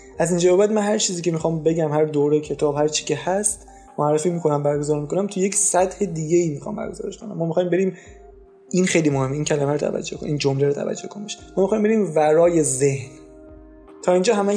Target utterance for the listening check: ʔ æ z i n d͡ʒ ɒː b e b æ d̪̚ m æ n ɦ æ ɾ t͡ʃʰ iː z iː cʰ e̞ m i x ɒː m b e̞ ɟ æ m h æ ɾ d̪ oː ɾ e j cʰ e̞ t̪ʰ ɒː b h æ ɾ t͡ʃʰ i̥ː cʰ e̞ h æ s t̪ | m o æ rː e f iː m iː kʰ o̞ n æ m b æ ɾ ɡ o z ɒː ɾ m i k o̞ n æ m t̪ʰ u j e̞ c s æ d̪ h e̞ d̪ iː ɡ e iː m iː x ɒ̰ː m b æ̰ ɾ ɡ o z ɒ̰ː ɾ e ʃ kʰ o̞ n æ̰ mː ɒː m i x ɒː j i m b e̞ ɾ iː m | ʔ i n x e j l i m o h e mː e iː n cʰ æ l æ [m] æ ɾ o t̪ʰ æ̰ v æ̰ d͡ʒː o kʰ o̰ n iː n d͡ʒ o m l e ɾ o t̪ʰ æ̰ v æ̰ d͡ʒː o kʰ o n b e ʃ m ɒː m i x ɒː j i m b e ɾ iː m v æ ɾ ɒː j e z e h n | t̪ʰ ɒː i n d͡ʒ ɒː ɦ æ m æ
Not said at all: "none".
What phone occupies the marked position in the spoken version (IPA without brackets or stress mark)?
m